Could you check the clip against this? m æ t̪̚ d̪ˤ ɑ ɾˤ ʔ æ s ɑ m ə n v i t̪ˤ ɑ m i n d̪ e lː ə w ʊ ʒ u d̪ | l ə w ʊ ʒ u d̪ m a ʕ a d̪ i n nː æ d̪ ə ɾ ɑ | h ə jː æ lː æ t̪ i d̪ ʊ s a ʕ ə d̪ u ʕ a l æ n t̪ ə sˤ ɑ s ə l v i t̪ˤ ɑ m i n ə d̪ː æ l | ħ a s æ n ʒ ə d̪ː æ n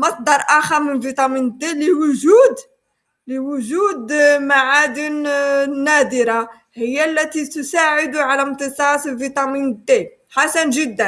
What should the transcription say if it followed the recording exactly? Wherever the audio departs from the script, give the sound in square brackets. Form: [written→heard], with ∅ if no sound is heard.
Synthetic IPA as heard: m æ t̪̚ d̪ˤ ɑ ɾˤ ʔ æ [s→x] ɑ m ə n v i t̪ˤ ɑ m i n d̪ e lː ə w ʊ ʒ u d̪ | l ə w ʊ ʒ u d̪ m a ʕ a d̪ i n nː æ d̪ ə ɾ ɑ | h ə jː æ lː æ t̪ i [d̪→t̪] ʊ s a ʕ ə d̪ u ʕ a l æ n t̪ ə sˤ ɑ s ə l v i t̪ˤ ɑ m i n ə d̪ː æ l | ħ a s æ n ʒ ə d̪ː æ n